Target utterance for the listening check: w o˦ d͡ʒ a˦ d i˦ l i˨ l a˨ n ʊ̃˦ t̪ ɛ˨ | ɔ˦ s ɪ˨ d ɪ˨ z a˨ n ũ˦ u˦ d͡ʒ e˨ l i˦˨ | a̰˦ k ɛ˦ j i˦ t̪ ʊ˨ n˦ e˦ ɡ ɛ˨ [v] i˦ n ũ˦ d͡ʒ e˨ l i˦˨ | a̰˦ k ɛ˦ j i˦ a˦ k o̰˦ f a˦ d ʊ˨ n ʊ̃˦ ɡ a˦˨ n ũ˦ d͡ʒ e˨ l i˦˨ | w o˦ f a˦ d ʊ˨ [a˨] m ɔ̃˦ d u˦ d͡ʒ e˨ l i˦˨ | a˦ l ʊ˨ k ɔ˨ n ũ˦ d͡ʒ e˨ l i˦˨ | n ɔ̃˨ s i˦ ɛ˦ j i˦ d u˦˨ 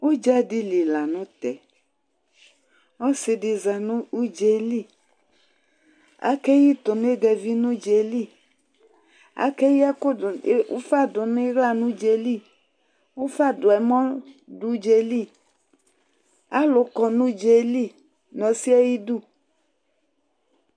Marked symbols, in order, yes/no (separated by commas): yes, no